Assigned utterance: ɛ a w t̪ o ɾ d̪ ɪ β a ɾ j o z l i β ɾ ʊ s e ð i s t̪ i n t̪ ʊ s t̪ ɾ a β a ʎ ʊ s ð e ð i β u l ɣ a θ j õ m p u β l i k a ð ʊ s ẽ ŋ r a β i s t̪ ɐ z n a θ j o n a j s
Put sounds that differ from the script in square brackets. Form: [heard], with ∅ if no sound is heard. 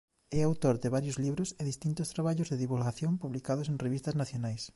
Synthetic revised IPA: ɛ a w t̪ o ɾ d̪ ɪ β a ɾ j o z l i β ɾ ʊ s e ð i s t̪ i n t̪ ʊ s t̪ ɾ a β a ʎ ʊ [z] ð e ð i β u l ɣ a θ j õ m p u β l i k a ð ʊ s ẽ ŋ r [e] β i s t̪ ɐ z n a θ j o n a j s